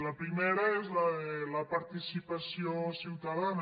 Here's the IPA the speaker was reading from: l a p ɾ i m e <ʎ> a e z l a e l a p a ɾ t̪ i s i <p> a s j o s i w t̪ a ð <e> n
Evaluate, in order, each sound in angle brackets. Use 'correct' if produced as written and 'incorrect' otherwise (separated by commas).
incorrect, correct, incorrect